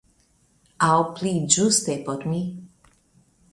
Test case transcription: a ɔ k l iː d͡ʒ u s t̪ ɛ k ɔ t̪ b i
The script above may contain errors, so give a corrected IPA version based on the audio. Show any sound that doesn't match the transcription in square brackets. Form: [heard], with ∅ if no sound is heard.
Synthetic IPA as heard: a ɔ [p] l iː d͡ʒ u s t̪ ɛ [p] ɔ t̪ [m] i

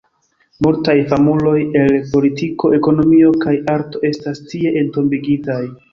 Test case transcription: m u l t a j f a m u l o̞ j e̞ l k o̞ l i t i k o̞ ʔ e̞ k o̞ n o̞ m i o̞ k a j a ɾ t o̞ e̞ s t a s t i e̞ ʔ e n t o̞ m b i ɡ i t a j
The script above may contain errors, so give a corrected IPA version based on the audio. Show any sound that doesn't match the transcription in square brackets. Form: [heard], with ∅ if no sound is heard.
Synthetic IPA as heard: m u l t a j f a m u l o̞ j e̞ l [p] o̞ l i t i k o̞ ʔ e̞ k o̞ n o̞ m i o̞ k a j a ɾ t o̞ e̞ s t a s t i e̞ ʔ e n t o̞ m b i ɡ i t a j

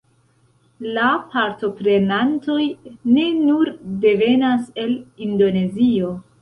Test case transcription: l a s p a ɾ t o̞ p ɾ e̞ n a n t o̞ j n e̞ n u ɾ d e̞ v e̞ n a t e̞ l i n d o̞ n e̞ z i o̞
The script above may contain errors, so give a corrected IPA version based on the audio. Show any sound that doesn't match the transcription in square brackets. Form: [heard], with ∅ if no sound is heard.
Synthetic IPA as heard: l a [∅] p a ɾ t o̞ p ɾ e̞ n a n t o̞ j n e̞ n u ɾ d e̞ v e̞ n a [s] e̞ l i n d o̞ n e̞ z i o̞

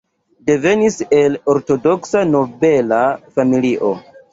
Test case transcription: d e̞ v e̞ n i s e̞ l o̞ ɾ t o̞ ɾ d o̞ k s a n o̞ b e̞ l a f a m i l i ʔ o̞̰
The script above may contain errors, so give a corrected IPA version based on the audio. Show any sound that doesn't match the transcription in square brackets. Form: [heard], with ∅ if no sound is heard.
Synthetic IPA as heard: d e̞ v e̞ n i s e̞ l o̞ ɾ t o̞ [∅] d o̞ k s a n o̞ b e̞ l a f a m i l i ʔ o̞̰

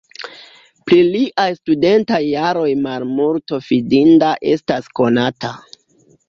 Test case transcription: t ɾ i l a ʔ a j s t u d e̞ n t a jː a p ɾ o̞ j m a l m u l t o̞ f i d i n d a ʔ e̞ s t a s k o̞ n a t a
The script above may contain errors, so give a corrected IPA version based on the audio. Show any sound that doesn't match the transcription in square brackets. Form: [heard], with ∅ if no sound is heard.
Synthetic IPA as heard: [p] ɾ i l [i] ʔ a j s t u d e̞ n t a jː a [∅] ɾ o̞ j m a l m u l t o̞ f i d i n d a ʔ e̞ s t a s k o̞ n a t a

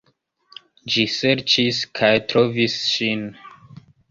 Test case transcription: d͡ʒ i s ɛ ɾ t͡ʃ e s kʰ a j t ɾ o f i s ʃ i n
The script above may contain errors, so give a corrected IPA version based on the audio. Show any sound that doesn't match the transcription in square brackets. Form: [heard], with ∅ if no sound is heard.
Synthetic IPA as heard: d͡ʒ i s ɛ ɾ t͡ʃ [i] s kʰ a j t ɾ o [v] i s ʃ i n

